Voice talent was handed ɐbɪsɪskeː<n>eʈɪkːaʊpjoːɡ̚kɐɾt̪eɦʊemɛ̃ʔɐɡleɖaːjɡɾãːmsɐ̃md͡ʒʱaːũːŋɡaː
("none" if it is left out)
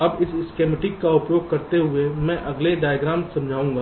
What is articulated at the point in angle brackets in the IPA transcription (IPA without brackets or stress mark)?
m